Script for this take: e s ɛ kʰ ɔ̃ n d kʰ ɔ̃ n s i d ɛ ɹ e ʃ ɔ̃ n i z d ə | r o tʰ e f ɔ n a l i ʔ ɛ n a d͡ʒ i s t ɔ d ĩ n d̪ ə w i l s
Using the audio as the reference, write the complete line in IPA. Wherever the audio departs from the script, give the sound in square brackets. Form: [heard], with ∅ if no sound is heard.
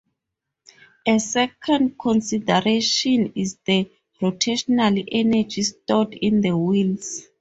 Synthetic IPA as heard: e s ɛ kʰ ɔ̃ n d kʰ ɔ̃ n s i d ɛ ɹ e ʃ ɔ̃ n i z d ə | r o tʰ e [ʃ] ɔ n a l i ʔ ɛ n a d͡ʒ i s t ɔ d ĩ n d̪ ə w i l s